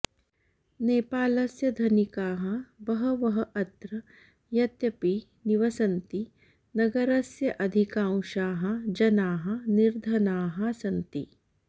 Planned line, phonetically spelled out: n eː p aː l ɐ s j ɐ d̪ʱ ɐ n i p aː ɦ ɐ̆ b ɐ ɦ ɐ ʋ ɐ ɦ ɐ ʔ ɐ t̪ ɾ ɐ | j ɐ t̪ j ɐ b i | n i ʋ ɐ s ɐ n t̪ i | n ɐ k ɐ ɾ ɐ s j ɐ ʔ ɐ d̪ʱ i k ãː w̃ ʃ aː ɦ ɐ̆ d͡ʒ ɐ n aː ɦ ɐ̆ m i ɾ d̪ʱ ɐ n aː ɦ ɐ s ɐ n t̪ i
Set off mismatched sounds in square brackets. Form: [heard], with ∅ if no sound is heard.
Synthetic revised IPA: n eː p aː l ɐ s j ɐ d̪ʱ ɐ n i [k] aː ɦ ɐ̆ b ɐ ɦ ɐ ʋ ɐ ɦ ɐ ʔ ɐ t̪ ɾ ɐ | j ɐ t̪ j ɐ [p] i | n i ʋ ɐ s ɐ n t̪ i | n ɐ [ɡ] ɐ ɾ ɐ s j ɐ ʔ ɐ d̪ʱ i k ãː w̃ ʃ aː ɦ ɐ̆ d͡ʒ ɐ n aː ɦ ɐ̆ [n] i ɾ d̪ʱ ɐ n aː ɦ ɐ s ɐ n t̪ i